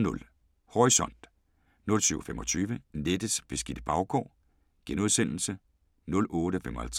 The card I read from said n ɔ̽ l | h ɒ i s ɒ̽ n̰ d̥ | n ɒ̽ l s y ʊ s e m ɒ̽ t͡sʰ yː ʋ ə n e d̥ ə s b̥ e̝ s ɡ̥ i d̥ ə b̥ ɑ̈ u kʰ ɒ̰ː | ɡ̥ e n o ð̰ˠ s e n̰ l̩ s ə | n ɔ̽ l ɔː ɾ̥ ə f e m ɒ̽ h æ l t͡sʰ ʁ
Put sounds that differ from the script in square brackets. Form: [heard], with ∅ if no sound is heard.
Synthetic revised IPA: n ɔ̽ l | h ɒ i s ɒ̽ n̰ d̥ | n [ɔ̽] l s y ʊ [f] e m ɒ̽ t͡sʰ yː ʋ ə n e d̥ ə s b̥ e̝ s ɡ̥ i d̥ ə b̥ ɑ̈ [ʊ] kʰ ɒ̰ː | ɡ̥ e n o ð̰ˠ s e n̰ l̩ s ə | n ɔ̽ l ɔː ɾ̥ ə f e m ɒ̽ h æ l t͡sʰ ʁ

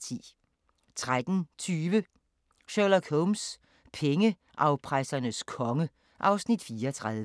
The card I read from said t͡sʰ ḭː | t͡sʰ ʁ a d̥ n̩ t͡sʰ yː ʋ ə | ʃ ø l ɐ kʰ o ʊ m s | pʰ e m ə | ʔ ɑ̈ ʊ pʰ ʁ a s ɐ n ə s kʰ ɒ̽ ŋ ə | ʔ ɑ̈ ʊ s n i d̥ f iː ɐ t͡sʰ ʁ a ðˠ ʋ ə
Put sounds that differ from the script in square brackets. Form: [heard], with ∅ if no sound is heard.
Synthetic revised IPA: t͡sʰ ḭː | t͡sʰ ʁ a d̥ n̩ t͡sʰ yː ʋ ə | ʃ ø l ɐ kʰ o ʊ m s | pʰ e [ŋ] ə | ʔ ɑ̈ ʊ pʰ ʁ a s ɐ n ə s kʰ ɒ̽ ŋ ə | ʔ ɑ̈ ʊ s n i d̥ f iː ɐ t͡sʰ ʁ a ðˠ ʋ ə

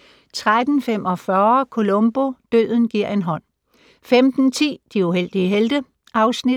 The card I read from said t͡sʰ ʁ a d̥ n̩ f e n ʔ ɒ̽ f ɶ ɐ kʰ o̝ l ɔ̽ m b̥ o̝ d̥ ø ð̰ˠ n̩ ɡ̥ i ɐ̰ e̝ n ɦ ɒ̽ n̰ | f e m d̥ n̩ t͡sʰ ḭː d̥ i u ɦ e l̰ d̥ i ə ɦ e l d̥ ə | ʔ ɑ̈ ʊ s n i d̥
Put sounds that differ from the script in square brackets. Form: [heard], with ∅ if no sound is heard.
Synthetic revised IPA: t͡sʰ ʁ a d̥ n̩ f e [m] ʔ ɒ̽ f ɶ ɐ kʰ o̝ l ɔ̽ m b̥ o̝ d̥ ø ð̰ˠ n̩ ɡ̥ i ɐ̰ e̝ n ɦ ɒ̽ n̰ | f e m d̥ n̩ t͡sʰ ḭː d̥ i u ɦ e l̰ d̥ i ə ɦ e l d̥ ə | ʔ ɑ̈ ʊ s n i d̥

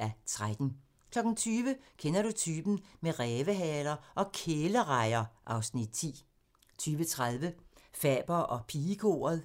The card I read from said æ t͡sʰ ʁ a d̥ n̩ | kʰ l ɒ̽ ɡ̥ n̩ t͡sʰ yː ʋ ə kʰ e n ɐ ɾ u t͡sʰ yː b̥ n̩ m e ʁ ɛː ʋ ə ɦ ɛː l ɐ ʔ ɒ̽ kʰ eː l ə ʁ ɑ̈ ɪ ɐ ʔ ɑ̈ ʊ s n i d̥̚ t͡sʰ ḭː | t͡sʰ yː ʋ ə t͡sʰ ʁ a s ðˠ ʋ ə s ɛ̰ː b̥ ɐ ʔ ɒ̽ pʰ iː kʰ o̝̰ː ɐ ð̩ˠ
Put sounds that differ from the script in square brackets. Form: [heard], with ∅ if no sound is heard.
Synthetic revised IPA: æ t͡sʰ ʁ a d̥ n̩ | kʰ l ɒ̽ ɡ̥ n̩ t͡sʰ yː ʋ ə kʰ e n ɐ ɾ u t͡sʰ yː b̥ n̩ m e ʁ ɛː ʋ ə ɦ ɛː l ɐ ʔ ɒ̽ kʰ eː l ə ʁ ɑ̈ ɪ ɐ ʔ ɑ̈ ʊ s n i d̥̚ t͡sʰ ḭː | t͡sʰ yː ʋ ə t͡sʰ ʁ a [∅] ðˠ ʋ ə [f] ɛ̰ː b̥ ɐ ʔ ɒ̽ pʰ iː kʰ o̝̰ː ɐ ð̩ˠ

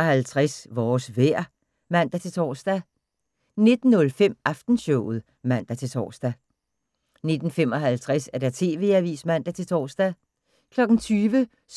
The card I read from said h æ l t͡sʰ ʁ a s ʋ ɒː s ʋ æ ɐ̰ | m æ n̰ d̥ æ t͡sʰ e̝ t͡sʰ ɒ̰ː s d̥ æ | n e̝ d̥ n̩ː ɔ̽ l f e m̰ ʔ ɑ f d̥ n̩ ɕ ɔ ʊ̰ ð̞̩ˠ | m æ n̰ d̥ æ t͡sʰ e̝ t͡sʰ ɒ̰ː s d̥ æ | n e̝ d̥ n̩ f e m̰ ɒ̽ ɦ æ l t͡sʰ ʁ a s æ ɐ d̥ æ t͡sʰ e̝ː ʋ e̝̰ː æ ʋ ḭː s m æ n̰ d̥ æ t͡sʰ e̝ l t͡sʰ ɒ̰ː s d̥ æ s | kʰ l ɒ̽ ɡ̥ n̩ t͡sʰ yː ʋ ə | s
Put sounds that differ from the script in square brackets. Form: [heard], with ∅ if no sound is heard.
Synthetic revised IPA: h æ l t͡sʰ ʁ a s ʋ ɒː s ʋ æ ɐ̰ | m æ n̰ d̥ æ t͡sʰ e̝ t͡sʰ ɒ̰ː s d̥ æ | n e̝ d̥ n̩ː ɔ̽ l f e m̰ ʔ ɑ f d̥ n̩ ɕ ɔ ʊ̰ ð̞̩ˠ | m æ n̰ d̥ æ t͡sʰ e̝ t͡sʰ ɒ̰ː s d̥ æ | n e̝ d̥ n̩ f e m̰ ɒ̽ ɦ æ l t͡sʰ ʁ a s æ ɐ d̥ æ t͡sʰ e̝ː ʋ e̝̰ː æ ʋ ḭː s m æ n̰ d̥ æ t͡sʰ e̝ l t͡sʰ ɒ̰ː s d̥ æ [∅] | kʰ l ɒ̽ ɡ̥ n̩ t͡sʰ yː ʋ ə | s

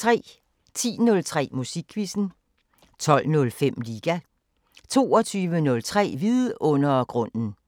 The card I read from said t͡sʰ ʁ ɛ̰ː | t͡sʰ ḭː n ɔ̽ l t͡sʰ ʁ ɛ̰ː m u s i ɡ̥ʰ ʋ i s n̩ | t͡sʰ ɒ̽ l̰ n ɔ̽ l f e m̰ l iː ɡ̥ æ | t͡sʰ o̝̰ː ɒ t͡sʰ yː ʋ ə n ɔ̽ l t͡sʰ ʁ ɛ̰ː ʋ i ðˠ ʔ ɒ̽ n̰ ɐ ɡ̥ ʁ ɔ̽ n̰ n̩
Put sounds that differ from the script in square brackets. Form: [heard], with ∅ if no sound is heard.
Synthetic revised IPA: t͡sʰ ʁ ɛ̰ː | t͡sʰ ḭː n ɔ̽ l t͡sʰ ʁ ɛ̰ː m u s i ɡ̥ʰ ʋ i s n̩ | t͡sʰ ɒ̽ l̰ n ɔ̽ l f e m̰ l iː ɡ̥ æ | t͡sʰ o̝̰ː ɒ t͡sʰ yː ʋ ə n ɔ̽ l t͡sʰ ʁ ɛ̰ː ʋ i ðˠ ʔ [ɔ̽] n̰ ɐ ɡ̥ ʁ ɔ̽ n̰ n̩

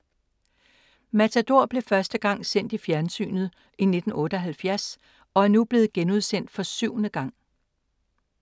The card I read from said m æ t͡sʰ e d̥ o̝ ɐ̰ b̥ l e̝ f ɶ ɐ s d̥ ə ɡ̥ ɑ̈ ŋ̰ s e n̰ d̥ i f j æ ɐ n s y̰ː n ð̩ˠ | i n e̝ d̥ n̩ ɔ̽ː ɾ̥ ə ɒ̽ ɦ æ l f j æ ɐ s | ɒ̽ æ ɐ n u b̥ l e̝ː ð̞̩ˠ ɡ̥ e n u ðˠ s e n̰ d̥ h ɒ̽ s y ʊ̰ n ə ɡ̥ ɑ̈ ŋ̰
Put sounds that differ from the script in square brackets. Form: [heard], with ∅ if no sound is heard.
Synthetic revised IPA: m æ t͡sʰ [æ] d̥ o̝ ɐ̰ b̥ l e̝ f ɶ ɐ s d̥ ə ɡ̥ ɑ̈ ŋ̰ s e n̰ d̥ i f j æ ɐ n s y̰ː n ð̩ˠ | i n e̝ d̥ n̩ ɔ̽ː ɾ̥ ə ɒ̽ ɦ æ l f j æ ɐ s | ɒ̽ æ ɐ n u b̥ l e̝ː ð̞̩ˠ ɡ̥ e n u ðˠ s e n̰ d̥ [f] ɒ̽ s y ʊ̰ n ə ɡ̥ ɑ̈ ŋ̰

